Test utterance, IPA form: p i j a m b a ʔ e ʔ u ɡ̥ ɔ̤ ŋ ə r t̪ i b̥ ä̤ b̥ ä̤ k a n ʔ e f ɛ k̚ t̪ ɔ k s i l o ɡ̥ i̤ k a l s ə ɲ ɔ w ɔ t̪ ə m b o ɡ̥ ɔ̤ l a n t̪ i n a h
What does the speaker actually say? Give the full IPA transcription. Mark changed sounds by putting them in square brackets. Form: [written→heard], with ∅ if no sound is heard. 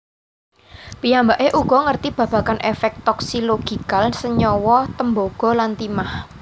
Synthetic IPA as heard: p i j a m b a ʔ e ʔ u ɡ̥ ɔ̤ ŋ ə r t̪ i b̥ ä̤ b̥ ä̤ k a n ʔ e f ɛ k̚ t̪ ɔ k s i l o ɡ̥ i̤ k a l s ə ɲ ɔ w ɔ t̪ ə m b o ɡ̥ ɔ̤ l a n t̪ i [n→m] a h